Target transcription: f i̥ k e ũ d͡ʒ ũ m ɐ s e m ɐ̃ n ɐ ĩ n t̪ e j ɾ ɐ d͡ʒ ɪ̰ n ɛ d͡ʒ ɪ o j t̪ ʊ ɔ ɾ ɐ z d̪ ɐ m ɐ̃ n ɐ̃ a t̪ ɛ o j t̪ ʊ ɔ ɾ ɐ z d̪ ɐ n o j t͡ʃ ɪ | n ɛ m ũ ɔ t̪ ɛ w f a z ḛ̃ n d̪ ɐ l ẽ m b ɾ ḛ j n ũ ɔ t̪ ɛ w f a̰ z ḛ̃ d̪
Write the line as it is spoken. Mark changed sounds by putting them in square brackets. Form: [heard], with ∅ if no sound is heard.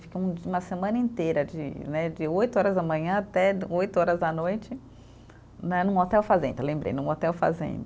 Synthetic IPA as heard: f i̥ k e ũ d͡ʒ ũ m ɐ s e m ɐ̃ n ɐ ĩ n t̪ e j ɾ ɐ d͡ʒ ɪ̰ n ɛ d͡ʒ ɪ o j t̪ ʊ ɔ ɾ ɐ z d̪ ɐ m ɐ̃ [ɲ] ɐ̃ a t̪ ɛ o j t̪ ʊ ɔ ɾ ɐ z d̪ ɐ n o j t͡ʃ ɪ | n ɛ [n] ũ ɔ t̪ ɛ w f a z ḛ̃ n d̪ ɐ l ẽ m b ɾ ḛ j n ũ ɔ t̪ ɛ w f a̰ z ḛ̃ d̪